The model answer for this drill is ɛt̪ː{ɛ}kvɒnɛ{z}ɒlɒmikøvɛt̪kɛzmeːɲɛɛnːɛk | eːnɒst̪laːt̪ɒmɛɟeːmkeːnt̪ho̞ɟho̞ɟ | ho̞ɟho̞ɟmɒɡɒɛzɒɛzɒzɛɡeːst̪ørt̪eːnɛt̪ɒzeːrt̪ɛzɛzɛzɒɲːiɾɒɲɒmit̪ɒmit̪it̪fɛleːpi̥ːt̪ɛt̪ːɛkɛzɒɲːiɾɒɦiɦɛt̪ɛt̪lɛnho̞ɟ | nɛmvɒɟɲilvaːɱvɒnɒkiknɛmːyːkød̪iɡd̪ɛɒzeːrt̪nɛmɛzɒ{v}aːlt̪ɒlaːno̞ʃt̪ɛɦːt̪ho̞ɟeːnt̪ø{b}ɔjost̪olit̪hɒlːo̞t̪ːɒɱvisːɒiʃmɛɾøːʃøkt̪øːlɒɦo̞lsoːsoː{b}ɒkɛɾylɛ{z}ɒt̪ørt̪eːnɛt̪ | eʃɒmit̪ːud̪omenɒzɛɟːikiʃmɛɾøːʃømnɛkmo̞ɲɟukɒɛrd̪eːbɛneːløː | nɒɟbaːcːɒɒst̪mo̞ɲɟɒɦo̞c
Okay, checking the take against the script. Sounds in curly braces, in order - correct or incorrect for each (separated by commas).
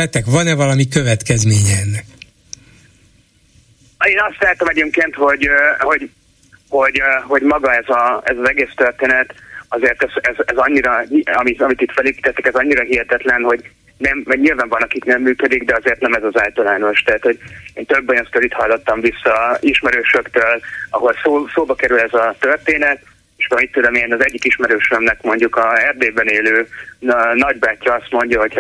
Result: correct, incorrect, incorrect, incorrect, correct, correct